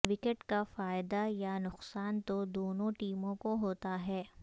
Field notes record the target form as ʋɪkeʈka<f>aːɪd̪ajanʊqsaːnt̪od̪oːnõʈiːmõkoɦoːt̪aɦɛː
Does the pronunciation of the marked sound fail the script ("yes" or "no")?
no